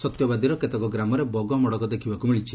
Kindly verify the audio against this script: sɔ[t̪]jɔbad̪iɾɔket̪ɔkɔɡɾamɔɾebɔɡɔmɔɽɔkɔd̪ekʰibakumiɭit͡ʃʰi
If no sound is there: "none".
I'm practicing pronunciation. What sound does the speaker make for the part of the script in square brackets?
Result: t̪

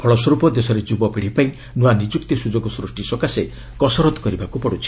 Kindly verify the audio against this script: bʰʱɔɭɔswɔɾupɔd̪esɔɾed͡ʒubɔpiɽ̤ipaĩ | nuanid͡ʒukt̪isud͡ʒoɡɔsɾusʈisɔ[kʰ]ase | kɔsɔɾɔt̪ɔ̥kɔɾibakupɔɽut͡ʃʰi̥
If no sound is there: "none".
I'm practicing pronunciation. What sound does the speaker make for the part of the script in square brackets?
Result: k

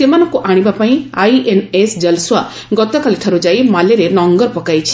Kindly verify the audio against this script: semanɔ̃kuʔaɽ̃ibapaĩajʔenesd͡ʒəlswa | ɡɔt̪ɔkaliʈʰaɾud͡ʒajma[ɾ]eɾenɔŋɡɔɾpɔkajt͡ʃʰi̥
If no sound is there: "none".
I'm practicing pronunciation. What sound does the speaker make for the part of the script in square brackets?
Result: l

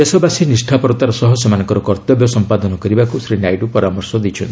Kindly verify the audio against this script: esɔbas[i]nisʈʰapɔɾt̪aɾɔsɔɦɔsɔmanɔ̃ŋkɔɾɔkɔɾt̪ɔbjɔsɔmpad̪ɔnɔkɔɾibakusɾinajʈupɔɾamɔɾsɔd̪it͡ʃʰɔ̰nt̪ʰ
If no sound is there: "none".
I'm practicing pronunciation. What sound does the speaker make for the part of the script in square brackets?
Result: i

